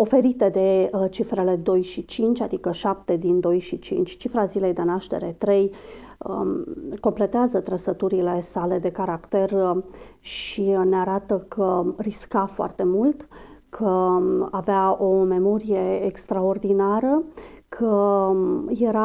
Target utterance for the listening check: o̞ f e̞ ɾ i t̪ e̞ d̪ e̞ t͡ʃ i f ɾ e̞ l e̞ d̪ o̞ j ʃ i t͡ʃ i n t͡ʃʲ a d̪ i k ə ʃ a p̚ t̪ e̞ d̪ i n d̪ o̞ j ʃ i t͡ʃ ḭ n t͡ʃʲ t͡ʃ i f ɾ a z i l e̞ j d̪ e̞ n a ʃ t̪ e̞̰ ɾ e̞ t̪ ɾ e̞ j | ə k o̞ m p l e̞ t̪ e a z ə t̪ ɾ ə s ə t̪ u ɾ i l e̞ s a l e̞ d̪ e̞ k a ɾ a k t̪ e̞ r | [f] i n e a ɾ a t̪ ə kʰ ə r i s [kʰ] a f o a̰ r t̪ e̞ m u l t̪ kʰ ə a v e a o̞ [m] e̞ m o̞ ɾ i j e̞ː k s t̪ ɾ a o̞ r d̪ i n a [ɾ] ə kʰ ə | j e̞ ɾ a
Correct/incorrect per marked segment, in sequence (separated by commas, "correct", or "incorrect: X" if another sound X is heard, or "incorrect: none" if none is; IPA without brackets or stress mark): incorrect: ʃ, incorrect: k, correct, correct